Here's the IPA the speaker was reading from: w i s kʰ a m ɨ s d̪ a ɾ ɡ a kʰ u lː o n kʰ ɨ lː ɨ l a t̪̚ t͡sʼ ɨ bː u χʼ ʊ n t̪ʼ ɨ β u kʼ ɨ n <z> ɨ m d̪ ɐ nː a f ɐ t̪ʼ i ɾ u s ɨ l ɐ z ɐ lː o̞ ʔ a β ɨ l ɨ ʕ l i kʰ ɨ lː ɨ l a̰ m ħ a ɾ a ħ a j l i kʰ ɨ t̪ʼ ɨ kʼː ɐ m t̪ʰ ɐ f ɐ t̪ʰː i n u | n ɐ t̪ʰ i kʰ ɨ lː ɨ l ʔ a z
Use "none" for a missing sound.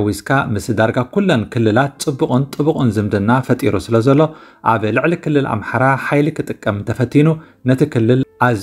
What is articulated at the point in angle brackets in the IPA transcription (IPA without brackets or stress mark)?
z